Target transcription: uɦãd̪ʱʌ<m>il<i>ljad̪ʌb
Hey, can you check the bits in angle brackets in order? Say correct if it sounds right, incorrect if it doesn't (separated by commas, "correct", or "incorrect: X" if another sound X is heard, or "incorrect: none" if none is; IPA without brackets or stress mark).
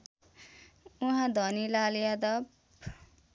incorrect: n, incorrect: a